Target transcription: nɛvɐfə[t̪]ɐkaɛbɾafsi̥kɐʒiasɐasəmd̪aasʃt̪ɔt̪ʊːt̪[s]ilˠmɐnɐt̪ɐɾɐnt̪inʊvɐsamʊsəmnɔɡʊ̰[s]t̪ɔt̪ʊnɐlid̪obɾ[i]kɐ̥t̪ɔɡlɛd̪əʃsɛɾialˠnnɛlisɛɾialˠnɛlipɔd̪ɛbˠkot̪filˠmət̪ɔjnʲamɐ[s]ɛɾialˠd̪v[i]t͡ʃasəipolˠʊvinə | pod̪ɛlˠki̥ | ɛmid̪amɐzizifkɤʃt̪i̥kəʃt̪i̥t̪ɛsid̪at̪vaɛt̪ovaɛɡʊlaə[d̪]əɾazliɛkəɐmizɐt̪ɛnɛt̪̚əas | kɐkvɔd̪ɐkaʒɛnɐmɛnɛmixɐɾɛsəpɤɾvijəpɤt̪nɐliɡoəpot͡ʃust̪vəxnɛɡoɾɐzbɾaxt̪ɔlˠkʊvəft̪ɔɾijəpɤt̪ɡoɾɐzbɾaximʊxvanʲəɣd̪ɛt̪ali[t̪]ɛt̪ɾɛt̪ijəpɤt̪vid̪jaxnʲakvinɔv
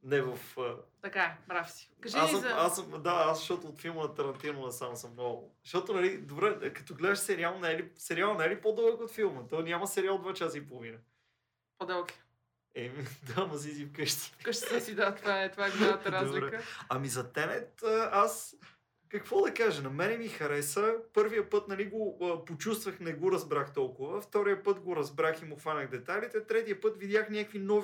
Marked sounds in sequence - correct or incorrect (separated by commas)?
correct, incorrect, incorrect, incorrect, correct, incorrect, incorrect, correct